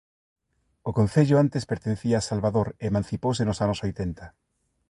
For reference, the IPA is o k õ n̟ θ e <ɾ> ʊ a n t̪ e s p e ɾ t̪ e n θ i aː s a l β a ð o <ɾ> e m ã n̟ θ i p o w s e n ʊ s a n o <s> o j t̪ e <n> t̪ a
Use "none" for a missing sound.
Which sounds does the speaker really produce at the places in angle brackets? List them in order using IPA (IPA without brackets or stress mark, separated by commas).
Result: ʎ, ɾ, s, n